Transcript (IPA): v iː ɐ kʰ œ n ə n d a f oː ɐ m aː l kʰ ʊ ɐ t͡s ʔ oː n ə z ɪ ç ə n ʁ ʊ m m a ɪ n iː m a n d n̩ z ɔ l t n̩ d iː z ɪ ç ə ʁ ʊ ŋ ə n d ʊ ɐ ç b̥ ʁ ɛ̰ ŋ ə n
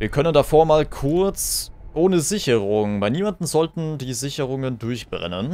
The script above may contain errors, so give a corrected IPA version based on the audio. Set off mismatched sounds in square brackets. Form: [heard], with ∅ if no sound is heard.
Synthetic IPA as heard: v iː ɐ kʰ œ n ə n d a f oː ɐ m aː l kʰ ʊ ɐ t͡s ʔ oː n ə z ɪ ç ə [∅] ʁ ʊ [ŋ] m a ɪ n iː m a n d n̩ z ɔ l t n̩ d iː z ɪ ç ə ʁ ʊ ŋ ə n d ʊ ɐ ç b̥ ʁ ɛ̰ [n] ə n